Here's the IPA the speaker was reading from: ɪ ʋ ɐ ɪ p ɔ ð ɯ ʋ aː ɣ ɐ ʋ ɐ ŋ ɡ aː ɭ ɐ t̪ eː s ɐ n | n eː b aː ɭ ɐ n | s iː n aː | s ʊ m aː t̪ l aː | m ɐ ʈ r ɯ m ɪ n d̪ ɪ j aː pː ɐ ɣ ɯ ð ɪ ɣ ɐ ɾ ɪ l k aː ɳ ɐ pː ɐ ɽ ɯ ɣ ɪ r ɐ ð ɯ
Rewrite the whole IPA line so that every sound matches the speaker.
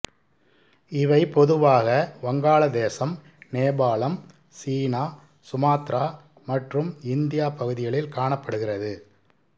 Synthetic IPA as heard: ɪ ʋ ɐ ɪ p ɔ ð ɯ ʋ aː ɣ ɐ ʋ ɐ ŋ ɡ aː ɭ ɐ d̪ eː s ɐ m | n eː b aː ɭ ɐ m | s iː n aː | s ʊ m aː t̪ ɾ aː | m ɐ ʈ r ɯ m ɪ n d̪ ɪ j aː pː ɐ ɣ ɯ ð ɪ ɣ ɐ ɭ ɪ l k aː ɳ ɐ pː ɐ ɽ ɯ ɣ ɪ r ɐ ð ɯ